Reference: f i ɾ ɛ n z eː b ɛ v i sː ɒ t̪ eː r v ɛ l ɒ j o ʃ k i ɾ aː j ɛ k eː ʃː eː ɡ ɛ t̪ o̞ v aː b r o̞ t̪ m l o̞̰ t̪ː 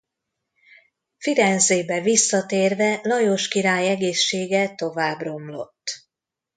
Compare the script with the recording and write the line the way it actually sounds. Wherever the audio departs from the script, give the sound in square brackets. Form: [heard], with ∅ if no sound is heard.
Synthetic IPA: f i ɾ ɛ n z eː b ɛ v i sː ɒ t̪ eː r v ɛ l ɒ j o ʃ k i ɾ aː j ɛ [ɡ] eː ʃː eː ɡ ɛ t̪ o̞ v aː b r o̞ [∅] m l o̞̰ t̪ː